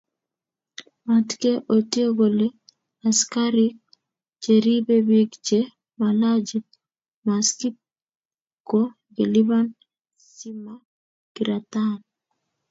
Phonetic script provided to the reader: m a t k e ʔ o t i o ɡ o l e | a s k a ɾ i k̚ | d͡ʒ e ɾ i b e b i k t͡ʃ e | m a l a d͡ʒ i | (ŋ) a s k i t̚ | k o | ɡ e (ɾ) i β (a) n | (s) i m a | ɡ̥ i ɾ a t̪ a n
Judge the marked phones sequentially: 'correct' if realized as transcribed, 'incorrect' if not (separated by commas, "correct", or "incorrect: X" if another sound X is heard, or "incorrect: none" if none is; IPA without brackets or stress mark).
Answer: incorrect: m, incorrect: l, correct, correct